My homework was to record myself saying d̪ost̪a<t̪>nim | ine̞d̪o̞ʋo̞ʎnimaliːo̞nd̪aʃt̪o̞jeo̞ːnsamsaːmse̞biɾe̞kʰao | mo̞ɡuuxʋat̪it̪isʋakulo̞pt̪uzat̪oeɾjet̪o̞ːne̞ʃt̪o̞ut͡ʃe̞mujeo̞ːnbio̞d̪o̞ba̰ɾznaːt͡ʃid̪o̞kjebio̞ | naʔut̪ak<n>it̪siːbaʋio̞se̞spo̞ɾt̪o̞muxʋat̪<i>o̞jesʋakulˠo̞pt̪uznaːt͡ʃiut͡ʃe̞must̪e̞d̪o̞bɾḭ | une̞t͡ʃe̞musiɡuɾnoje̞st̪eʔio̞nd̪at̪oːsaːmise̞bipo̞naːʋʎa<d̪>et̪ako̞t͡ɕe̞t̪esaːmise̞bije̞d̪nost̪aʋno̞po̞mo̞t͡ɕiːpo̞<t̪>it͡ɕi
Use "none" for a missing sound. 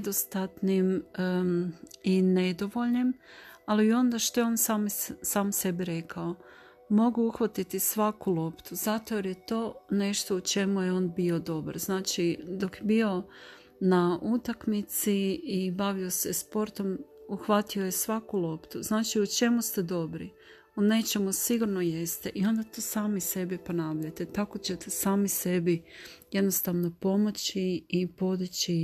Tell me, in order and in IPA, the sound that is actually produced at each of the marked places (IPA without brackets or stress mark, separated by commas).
t̪, m, i, t̪, d̪